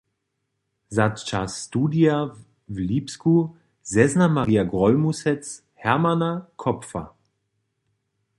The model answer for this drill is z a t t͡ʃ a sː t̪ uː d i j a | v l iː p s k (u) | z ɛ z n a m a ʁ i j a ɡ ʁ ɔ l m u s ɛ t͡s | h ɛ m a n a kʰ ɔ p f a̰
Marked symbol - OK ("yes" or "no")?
yes